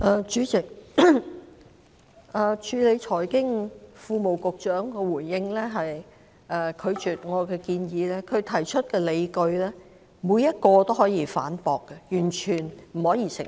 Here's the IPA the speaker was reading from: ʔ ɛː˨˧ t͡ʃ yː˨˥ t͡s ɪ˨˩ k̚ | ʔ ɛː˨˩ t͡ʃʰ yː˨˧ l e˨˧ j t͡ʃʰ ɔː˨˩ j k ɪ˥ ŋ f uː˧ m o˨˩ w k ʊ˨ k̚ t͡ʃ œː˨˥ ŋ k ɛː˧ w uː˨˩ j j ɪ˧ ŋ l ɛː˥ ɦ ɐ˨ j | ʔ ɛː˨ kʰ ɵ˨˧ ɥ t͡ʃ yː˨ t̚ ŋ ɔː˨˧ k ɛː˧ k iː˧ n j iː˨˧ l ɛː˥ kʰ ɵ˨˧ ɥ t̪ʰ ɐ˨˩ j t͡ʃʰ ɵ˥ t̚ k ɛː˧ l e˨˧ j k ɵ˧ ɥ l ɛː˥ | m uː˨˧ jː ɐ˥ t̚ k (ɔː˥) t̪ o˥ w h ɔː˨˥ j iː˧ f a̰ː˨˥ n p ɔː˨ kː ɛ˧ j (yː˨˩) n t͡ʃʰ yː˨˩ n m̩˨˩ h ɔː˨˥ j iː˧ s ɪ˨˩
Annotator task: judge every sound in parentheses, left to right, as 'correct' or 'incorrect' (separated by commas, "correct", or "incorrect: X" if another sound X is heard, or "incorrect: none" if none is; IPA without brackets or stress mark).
incorrect: ɔː˧, correct